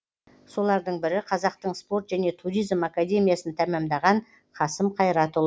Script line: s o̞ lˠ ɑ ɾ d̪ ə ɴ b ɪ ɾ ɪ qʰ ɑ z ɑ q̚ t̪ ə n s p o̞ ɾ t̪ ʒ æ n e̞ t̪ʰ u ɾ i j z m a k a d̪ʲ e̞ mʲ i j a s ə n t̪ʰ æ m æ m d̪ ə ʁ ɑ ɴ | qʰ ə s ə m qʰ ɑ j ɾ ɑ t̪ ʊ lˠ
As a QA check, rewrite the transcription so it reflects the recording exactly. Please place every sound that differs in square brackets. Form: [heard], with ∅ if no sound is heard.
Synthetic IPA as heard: s o̞ lˠ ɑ ɾ d̪ ə ɴ b ɪ ɾ ɪ qʰ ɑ z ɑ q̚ t̪ ə [ɴ] s p o̞ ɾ t̪ ʒ æ n e̞ t̪ʰ u ɾ i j z m a k a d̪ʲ e̞ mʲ i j a s ə n t̪ʰ æ m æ m d̪ [ɑ] ʁ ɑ ɴ | qʰ [ɑ] s ə m qʰ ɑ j ɾ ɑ t̪ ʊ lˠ